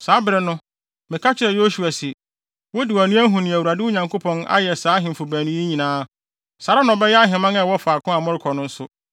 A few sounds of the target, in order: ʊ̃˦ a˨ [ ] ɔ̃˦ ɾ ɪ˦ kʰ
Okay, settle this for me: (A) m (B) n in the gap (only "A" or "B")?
A